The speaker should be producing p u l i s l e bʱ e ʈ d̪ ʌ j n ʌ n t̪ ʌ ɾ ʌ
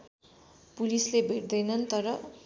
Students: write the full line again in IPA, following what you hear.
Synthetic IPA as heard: p u l i s l e bʱ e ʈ d̪ ʌ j n ʌ n t̪ ʌ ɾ ʌ